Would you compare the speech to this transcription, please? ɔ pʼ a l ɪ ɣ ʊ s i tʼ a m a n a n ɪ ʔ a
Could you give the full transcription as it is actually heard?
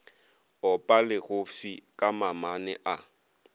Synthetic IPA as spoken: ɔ pʼ a l ɪ ɣ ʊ f i kʼ a m a m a n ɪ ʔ a

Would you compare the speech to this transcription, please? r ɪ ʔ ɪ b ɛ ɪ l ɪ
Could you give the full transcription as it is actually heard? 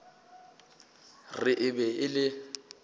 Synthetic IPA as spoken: r ɪ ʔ ɪ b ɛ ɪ l ɪ

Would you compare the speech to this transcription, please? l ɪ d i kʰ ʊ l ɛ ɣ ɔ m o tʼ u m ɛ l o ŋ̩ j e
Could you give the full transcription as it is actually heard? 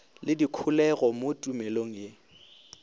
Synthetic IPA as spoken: l ɪ d i kʰ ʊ l ɛ ɣ ɔ m o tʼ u m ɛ l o ŋ̩ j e

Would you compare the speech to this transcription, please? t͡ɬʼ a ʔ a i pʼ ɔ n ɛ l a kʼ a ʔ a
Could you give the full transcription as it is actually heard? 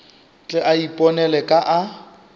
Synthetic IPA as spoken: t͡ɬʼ ɛ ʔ a i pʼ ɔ n ɛ l ɛ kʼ a ʔ a

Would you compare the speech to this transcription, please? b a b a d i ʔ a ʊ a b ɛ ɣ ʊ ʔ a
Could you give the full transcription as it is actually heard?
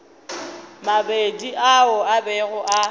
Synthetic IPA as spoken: m a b e d i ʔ a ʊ a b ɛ ɣ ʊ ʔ a

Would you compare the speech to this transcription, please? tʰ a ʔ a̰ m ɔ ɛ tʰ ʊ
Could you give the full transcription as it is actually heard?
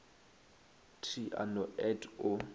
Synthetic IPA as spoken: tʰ i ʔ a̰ n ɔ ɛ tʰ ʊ

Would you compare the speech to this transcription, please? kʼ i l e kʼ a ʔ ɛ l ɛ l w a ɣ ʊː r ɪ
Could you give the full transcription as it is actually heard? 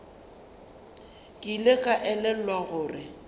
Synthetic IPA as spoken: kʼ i l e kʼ a ʔ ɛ l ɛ l w a ɣ ʊː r ɪ

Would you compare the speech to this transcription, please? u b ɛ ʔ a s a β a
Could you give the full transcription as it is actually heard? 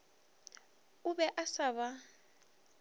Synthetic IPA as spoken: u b ɛ ʔ a s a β a

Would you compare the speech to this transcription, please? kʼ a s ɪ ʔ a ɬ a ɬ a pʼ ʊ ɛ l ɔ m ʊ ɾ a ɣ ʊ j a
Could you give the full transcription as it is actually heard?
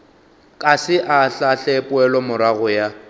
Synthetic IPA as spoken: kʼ a s ɪ ʔ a ɬ a ɬ ɛ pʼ ʊ ɛ l ɔ m ʊ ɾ a ɣ ʊ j a

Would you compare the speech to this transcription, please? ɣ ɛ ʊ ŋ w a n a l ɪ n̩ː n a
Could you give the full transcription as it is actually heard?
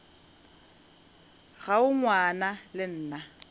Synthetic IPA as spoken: ɣ a ʊ ŋ w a n a l ɪ n̩ː n a

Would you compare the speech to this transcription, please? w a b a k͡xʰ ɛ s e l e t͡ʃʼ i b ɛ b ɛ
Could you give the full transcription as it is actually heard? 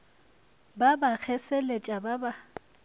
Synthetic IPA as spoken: b a b a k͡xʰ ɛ s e l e t͡ʃʼ a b a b a

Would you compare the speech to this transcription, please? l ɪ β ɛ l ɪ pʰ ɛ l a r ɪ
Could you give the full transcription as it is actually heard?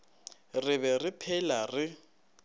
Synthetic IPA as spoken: r ɪ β ɛ r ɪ pʰ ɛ l a r ɪ

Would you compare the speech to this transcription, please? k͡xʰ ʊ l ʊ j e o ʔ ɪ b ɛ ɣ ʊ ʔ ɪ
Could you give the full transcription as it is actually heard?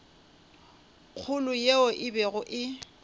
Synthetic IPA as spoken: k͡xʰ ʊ l ʊ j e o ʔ ɪ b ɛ ɣ ʊ ʔ ɪ

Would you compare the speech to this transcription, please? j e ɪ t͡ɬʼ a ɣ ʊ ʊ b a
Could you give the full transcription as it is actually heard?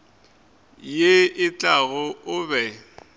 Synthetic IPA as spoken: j e ɪ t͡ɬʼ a ɣ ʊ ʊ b ɛ

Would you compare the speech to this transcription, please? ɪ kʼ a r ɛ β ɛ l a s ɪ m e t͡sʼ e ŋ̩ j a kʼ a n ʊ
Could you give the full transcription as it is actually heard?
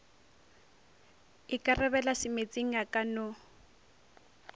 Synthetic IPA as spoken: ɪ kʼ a r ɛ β ɛ l a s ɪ m e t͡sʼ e ŋ̩ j a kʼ a n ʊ

